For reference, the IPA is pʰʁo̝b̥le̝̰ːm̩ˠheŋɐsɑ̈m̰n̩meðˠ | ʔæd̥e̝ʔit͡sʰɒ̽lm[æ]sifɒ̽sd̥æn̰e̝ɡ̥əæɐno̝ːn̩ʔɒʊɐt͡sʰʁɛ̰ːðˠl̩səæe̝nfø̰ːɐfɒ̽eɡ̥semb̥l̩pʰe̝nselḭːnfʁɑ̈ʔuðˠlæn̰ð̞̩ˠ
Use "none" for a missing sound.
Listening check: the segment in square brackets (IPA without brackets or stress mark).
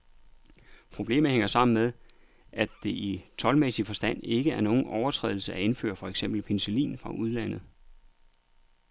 e